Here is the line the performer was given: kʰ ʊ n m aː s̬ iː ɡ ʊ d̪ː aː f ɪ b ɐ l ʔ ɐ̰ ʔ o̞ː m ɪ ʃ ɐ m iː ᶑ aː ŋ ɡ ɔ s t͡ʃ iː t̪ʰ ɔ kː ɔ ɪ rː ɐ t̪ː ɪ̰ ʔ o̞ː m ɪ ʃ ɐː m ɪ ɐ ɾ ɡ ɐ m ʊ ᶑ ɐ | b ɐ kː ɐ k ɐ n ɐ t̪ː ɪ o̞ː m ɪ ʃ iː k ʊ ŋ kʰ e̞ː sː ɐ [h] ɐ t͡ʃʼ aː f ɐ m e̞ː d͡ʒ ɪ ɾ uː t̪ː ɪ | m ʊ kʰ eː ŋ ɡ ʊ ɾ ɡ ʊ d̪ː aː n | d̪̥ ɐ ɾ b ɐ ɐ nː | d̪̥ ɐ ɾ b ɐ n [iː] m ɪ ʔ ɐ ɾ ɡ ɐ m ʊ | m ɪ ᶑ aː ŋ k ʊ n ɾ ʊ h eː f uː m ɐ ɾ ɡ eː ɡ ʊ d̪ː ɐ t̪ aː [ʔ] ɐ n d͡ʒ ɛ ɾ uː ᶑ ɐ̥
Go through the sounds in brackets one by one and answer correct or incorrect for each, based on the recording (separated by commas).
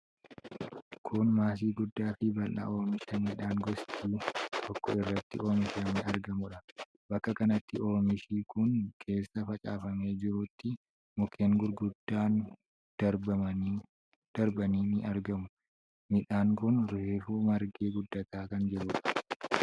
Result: incorrect, correct, incorrect